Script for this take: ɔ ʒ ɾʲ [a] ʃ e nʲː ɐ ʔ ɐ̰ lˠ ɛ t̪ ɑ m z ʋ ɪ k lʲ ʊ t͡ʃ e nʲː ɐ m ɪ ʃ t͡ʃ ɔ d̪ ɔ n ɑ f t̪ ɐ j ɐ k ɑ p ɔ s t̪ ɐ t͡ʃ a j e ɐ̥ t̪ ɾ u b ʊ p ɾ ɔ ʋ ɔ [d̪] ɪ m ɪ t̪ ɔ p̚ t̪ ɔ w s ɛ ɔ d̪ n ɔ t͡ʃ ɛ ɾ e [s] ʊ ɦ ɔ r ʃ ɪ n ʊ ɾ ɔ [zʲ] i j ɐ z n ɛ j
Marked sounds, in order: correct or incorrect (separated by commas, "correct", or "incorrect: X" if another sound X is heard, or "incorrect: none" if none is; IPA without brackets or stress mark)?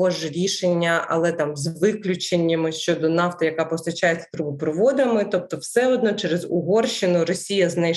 incorrect: i, correct, incorrect: z, incorrect: sʲ